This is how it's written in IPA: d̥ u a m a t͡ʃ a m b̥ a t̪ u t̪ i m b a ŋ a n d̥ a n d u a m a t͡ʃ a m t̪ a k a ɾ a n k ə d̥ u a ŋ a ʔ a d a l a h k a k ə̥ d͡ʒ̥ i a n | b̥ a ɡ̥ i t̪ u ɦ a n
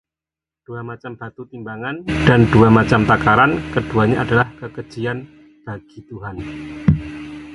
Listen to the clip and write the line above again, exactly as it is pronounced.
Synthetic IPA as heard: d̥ u a m a t͡ʃ a m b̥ a t̪ u t̪ i m b a ŋ a n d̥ a n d u a m a t͡ʃ a m t̪ a k a ɾ a n k ə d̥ u a ɲ a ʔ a d a l a h k ə k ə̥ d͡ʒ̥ i a n | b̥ a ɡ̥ i t̪ u ɦ a n